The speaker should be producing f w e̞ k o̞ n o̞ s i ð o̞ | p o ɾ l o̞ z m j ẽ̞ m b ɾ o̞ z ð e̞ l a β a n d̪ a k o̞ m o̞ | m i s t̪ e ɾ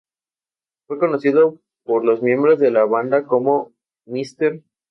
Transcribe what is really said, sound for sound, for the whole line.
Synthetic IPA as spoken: f w e̞ k o̞ n o̞ s i ð o̞ | p o ɾ l o̞ z m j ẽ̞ m b ɾ o̞ z ð e̞ l a β a n d̪ a k o̞ m o̞ | m i s t̪ e ɾ